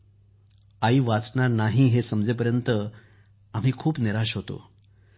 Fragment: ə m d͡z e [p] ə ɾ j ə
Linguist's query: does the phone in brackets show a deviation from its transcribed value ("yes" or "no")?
no